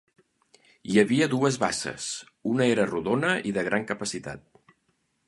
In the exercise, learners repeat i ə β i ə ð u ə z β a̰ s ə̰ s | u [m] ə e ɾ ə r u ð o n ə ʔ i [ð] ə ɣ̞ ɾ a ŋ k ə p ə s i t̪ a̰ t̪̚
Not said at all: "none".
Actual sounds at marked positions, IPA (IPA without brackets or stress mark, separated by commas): n, ð